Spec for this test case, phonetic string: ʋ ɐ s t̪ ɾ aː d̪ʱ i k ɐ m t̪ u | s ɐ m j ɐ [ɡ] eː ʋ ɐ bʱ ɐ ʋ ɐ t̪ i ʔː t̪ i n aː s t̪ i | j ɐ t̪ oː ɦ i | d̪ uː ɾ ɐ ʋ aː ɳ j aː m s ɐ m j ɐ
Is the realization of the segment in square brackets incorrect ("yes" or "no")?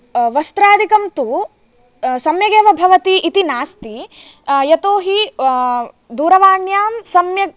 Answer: no